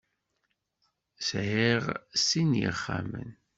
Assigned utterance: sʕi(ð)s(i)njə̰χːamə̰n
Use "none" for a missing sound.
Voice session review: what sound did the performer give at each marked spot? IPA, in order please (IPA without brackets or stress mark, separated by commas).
ʁ, i